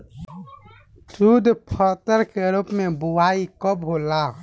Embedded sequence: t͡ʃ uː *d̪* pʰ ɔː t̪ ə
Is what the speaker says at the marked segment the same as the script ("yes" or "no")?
yes